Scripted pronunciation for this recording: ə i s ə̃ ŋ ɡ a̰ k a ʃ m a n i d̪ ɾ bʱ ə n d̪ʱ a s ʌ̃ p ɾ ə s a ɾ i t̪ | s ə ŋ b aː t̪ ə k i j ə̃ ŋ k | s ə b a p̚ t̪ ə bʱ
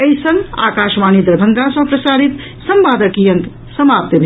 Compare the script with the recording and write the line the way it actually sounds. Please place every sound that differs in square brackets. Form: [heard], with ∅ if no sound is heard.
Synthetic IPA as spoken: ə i s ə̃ ŋ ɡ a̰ k a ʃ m a n i d̪ ɾ bʱ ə n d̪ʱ a s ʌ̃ p ɾ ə s a ɾ i t̪ | s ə [m] b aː [d̪] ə k i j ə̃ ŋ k | s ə [m] a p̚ t̪ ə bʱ